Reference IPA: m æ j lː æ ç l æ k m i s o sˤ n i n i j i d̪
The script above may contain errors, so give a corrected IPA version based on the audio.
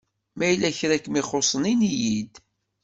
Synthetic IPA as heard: m æ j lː æ ç ɾ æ k m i χ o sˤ n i n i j i d̪